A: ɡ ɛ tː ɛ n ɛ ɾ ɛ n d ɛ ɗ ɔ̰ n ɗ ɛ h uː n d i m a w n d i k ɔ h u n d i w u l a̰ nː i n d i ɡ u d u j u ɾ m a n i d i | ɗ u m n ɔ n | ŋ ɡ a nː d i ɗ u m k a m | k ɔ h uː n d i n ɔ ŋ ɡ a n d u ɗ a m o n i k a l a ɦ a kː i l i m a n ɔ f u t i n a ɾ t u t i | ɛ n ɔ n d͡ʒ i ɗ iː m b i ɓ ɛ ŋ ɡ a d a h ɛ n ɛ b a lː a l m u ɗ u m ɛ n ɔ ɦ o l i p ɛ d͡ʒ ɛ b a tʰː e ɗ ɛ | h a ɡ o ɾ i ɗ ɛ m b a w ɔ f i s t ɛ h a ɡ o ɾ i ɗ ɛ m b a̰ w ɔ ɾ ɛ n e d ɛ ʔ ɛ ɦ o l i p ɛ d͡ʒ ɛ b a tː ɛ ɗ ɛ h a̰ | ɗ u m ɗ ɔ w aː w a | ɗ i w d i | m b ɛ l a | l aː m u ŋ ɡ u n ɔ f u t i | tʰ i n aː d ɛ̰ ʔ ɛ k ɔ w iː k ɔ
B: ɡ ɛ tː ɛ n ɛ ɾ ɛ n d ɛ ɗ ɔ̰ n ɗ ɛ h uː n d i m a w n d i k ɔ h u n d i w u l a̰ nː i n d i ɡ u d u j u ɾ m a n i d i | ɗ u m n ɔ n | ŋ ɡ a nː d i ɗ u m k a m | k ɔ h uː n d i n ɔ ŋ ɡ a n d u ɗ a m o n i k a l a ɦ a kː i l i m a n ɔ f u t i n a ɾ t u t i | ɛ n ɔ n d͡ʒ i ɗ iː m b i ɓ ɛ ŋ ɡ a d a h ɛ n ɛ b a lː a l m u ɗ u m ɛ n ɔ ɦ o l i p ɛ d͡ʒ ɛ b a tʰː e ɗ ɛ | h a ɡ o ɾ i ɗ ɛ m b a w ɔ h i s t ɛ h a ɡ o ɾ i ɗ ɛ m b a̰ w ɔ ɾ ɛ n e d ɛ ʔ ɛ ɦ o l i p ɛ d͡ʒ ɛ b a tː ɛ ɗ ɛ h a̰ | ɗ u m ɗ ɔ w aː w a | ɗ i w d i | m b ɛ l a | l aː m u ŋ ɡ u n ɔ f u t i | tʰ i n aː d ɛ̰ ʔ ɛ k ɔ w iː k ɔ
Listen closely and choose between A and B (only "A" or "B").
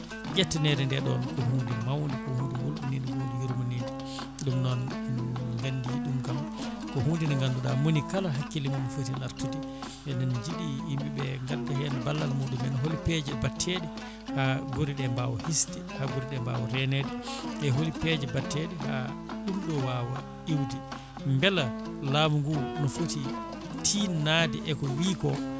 B